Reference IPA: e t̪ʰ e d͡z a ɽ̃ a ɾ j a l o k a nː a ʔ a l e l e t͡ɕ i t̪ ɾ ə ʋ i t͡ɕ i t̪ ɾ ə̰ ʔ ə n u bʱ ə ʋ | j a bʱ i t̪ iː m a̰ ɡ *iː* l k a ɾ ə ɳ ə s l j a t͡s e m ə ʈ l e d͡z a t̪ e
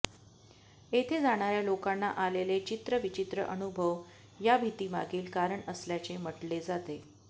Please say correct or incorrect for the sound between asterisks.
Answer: correct